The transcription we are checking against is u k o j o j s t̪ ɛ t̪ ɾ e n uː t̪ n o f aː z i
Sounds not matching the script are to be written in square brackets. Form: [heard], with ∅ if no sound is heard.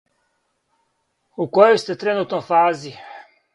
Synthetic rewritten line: u k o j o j s t̪ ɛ t̪ ɾ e n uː t̪ n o f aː z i